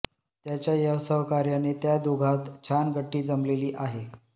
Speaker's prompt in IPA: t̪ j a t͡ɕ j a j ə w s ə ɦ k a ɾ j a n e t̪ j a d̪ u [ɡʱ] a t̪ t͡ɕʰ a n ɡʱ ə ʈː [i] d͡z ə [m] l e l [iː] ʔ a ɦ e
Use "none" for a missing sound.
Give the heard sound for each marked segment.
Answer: ɡʱ, iː, m, iː

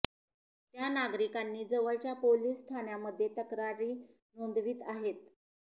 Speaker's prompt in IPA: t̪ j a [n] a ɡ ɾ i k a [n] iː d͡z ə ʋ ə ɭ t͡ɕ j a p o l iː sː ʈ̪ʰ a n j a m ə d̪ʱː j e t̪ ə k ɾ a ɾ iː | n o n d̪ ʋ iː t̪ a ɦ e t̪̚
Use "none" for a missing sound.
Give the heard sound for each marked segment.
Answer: n, nː

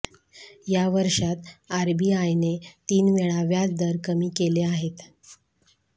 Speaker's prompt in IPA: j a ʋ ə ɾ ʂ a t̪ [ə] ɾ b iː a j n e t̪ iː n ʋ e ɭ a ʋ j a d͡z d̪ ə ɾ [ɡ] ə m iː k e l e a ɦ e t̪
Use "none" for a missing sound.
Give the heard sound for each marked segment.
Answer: a, k

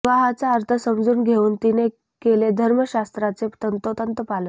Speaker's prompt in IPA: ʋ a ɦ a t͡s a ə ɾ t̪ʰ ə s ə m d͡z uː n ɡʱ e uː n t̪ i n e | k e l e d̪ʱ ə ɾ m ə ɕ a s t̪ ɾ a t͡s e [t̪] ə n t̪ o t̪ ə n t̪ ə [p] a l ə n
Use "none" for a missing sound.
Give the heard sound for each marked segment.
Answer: t̪, p

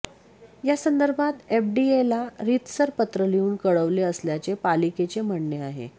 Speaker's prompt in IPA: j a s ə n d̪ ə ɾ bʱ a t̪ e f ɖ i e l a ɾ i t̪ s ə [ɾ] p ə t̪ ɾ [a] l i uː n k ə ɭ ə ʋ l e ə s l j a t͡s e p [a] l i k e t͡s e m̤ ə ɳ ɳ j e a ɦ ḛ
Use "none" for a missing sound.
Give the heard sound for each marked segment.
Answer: ɾ, ə, a

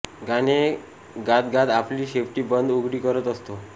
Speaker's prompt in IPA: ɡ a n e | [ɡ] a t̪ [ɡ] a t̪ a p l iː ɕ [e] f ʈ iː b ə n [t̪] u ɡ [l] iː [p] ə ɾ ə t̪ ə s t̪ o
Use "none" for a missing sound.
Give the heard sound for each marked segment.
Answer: ɡ, ɡ, e, d̪, ɽ, k

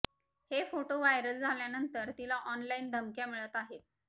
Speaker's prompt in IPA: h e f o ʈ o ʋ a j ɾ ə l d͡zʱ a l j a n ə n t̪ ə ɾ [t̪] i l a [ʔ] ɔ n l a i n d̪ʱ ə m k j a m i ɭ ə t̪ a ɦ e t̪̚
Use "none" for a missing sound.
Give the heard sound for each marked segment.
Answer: t̪, ʔ

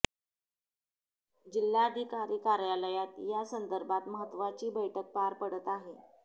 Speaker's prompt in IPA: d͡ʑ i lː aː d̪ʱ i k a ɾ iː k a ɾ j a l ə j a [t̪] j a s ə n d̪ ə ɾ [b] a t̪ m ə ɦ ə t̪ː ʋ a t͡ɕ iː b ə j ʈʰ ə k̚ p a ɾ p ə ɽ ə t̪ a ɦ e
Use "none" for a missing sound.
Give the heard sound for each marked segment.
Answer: t̪, b

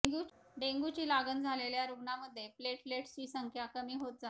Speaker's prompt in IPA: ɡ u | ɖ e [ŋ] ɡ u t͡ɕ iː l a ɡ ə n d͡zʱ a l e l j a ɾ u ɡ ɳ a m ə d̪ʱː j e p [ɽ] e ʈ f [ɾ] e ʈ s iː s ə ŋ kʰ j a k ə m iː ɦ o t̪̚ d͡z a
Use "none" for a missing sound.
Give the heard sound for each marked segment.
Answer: ŋ, l, l

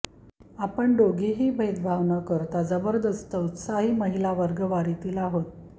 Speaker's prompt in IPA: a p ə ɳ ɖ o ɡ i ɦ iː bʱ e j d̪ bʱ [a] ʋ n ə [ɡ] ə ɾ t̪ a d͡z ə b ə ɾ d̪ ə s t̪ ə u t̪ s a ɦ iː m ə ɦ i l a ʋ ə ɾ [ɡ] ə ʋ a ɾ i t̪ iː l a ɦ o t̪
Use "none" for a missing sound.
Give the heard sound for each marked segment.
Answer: a, k, ɡ

